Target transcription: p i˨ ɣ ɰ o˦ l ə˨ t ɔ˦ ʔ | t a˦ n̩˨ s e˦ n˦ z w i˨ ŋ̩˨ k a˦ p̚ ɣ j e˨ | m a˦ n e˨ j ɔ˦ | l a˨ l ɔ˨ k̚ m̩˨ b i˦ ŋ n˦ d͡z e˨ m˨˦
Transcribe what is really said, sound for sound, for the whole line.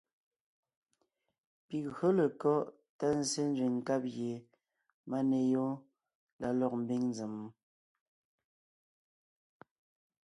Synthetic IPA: p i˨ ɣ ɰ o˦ l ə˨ k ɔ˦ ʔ | t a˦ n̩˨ s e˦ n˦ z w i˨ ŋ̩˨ k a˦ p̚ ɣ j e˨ | m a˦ n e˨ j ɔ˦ | l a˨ l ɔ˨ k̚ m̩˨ b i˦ ŋ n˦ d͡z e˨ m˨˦